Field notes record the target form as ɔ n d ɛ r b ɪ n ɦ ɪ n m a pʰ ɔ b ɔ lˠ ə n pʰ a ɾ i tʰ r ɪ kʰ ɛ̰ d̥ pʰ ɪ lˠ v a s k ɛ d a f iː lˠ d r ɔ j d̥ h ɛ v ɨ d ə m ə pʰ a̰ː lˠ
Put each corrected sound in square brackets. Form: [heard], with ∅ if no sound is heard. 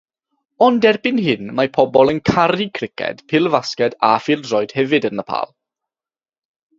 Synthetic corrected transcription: ɔ n d ɛ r b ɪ n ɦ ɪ n m a pʰ ɔ b ɔ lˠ ə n [kʰ] a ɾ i [kʰ] r ɪ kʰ ɛ̰ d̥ pʰ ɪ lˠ v a s k ɛ d a f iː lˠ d r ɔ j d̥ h ɛ v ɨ d ə [n] ə pʰ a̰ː lˠ